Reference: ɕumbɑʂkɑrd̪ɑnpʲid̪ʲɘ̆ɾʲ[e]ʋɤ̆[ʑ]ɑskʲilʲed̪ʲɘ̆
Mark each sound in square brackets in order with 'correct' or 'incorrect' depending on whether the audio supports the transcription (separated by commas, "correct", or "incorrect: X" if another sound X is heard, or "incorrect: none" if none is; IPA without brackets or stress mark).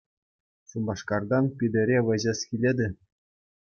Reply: correct, correct